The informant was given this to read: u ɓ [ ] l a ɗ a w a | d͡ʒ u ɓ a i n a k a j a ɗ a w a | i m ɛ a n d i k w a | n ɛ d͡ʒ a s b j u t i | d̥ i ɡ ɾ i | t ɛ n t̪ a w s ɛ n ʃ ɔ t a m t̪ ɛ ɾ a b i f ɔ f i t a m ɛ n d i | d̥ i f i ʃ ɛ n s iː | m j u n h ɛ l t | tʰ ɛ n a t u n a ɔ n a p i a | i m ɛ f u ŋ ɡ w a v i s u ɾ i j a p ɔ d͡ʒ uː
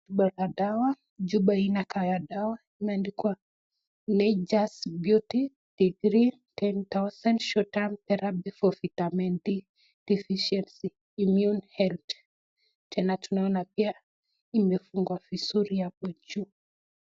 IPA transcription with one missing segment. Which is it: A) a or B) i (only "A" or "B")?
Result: A